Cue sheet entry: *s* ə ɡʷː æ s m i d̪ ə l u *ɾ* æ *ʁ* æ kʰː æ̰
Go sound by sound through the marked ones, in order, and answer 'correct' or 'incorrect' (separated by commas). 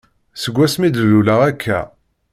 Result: correct, incorrect, correct